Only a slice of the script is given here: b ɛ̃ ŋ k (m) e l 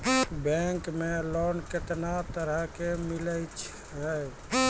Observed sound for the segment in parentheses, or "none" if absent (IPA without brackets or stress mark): m